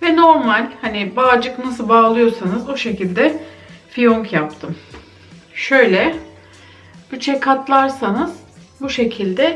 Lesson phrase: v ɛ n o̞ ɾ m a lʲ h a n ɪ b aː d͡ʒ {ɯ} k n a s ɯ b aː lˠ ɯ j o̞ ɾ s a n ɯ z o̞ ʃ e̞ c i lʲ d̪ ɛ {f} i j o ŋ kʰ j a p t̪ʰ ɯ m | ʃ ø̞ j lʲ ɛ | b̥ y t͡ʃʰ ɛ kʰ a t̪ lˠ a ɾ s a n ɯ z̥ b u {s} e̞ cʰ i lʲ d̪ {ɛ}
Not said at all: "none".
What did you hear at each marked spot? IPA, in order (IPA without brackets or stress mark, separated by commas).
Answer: ɯ, f, ʃ, ɛ